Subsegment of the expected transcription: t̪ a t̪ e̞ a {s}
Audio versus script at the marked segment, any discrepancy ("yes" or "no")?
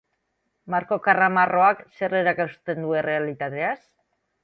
no